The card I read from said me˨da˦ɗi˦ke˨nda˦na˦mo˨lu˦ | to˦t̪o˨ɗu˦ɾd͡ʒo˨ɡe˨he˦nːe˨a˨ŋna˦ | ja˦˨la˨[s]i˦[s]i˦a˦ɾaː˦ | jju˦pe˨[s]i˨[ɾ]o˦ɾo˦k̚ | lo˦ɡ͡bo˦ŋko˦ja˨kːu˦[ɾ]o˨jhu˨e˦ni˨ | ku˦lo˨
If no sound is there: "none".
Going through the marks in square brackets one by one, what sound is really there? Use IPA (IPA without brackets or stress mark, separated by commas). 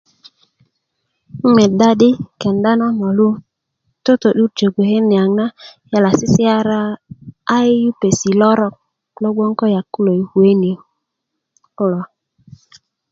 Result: s, s, s, l, l